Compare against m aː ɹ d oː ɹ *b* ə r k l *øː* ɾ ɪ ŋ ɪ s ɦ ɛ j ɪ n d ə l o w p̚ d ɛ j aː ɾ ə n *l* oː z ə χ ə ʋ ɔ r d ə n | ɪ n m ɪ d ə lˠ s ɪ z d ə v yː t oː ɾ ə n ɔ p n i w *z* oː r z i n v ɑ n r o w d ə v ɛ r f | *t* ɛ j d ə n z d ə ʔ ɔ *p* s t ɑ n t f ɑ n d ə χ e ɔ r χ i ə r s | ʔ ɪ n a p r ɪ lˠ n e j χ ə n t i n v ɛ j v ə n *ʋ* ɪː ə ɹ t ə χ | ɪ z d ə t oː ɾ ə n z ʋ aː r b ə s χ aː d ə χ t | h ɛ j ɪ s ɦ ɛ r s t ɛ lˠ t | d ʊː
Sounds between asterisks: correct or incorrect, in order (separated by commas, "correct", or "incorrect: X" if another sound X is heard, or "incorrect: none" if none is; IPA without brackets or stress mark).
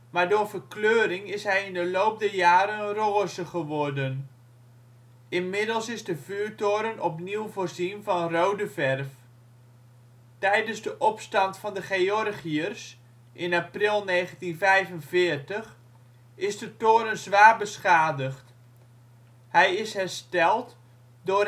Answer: incorrect: v, correct, incorrect: r, incorrect: v, correct, correct, incorrect: v